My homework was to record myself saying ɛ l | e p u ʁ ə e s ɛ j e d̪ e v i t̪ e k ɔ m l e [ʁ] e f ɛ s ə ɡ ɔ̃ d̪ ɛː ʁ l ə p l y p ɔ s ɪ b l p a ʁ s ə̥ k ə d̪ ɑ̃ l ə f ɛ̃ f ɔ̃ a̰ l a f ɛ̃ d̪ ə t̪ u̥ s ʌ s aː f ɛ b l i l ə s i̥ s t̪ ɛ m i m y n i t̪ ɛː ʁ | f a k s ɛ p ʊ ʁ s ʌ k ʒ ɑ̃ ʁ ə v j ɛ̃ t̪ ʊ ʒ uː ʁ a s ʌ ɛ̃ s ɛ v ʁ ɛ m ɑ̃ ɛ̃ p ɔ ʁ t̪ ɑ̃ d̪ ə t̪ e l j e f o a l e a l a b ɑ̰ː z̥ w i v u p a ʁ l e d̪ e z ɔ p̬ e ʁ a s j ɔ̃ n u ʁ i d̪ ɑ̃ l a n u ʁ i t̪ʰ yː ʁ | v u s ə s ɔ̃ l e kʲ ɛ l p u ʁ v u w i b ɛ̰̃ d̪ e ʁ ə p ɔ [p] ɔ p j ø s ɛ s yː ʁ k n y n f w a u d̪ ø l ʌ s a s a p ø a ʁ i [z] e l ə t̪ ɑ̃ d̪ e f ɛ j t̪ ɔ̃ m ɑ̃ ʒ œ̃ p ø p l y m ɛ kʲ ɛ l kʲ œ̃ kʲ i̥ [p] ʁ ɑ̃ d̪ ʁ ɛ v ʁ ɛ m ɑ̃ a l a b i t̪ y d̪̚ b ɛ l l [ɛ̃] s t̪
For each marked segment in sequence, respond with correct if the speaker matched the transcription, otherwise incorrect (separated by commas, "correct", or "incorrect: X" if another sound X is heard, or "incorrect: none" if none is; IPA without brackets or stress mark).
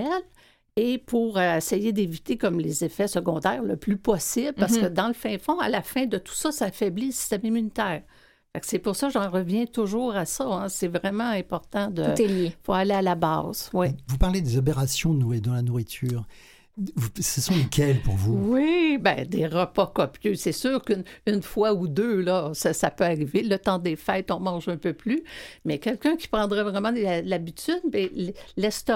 incorrect: z, incorrect: k, incorrect: v, correct, incorrect: ɛ